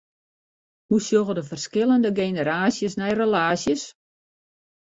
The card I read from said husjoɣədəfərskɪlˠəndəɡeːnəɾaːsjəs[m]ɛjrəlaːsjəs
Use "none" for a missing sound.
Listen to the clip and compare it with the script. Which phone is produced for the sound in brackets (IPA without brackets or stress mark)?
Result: n